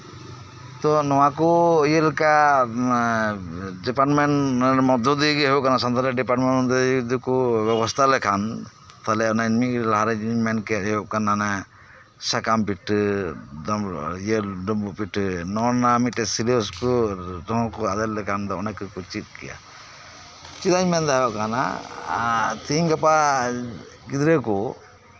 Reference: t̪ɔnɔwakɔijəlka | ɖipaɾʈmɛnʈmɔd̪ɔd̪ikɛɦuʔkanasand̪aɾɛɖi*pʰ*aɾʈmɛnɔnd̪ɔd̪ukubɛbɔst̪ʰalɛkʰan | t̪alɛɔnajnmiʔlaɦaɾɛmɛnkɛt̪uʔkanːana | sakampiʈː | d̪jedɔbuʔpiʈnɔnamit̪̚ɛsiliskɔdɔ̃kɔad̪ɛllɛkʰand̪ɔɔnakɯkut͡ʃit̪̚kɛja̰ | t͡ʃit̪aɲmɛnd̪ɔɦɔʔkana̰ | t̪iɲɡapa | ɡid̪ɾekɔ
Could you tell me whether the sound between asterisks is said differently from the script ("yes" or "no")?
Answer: yes